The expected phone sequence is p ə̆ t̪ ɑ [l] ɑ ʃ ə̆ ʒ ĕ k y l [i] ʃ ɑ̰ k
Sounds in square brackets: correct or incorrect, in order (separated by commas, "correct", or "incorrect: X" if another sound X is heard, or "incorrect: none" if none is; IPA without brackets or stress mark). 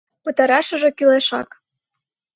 incorrect: ɾ, incorrect: e